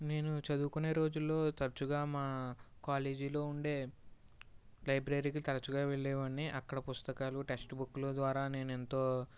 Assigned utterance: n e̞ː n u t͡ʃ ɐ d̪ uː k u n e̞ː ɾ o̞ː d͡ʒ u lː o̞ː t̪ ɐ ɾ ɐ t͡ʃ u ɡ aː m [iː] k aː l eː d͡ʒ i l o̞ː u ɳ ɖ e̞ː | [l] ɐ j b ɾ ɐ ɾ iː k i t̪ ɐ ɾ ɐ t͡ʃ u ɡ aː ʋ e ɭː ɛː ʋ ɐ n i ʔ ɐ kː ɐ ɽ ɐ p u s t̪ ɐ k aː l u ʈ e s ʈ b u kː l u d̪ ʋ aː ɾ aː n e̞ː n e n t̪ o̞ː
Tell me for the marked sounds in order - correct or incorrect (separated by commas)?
incorrect, correct